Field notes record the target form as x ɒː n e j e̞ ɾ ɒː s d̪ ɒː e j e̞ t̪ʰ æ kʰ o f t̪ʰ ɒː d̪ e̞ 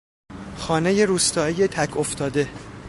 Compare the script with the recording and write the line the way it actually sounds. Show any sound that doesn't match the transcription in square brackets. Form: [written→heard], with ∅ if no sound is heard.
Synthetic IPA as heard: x ɒː n e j e̞ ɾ [ɒː→uː] s [d̪→t̪] ɒː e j e̞ t̪ʰ æ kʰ o f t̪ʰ ɒː d̪ e̞

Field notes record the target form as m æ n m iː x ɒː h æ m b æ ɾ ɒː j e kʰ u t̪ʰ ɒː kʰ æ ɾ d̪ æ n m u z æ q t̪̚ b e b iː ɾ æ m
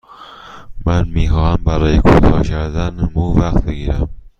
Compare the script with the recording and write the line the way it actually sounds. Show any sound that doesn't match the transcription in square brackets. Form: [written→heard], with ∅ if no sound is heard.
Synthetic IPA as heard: m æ n m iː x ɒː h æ m b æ ɾ ɒː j e kʰ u t̪ʰ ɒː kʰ æ ɾ d̪ æ n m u [z→v] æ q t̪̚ b e [b→ɡ] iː ɾ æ m

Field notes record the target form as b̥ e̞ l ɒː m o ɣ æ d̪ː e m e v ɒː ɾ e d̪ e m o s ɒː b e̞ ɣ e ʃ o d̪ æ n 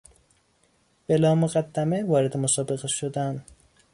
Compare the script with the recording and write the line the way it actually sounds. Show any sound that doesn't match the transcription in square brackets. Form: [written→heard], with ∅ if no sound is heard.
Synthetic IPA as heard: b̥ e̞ l ɒː m o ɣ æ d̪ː [e→æ] m e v ɒː ɾ e d̪ e m o s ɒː b e̞ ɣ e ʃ o d̪ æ n

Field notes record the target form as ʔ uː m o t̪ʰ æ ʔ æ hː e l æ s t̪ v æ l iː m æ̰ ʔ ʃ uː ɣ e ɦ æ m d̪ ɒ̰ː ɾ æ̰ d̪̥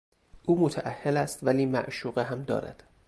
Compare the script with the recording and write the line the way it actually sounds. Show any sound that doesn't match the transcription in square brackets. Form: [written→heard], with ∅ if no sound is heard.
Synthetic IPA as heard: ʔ uː m o t̪ʰ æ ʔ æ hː e l æ s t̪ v æ l iː m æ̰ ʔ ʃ uː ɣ e ɦ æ m d̪ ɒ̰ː ɾ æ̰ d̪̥

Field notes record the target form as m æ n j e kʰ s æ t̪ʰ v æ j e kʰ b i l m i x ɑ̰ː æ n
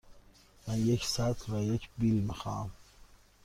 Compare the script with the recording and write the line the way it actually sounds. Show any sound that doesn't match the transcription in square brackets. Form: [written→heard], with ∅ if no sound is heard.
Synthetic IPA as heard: m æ n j e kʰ s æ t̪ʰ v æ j e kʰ b i l m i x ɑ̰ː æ [n→m]

